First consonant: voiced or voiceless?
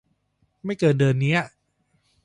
voiced